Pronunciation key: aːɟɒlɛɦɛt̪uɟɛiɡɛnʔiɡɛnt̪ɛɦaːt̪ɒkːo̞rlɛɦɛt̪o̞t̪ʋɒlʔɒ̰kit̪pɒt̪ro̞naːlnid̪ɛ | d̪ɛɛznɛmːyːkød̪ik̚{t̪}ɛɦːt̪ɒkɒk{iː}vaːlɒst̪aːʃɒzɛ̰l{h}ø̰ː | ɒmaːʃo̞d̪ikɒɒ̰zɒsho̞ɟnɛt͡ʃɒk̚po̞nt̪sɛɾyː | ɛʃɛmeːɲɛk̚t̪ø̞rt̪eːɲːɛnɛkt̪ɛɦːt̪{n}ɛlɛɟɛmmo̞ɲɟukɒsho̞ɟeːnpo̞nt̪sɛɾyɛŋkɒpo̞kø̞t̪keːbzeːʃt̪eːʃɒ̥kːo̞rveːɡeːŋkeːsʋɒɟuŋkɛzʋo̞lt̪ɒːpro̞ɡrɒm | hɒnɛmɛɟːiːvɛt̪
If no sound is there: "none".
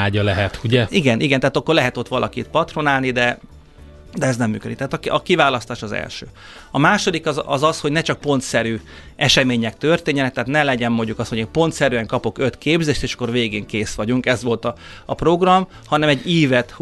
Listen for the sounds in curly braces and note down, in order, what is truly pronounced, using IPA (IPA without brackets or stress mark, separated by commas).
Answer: t̪, i, ʃ, n